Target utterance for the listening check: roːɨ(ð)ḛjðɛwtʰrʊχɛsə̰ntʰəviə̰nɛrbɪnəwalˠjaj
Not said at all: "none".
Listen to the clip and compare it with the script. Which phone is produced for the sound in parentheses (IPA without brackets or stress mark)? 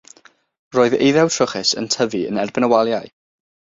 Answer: ð